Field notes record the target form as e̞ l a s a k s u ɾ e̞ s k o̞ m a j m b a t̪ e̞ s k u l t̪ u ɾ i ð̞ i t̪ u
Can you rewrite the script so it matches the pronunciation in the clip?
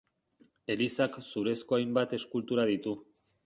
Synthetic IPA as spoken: e̞ l i s a k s u ɾ e̞ s k o̞ a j m b a t̪ e̞ s k u l t̪ u ɾ a ð̞ i t̪ u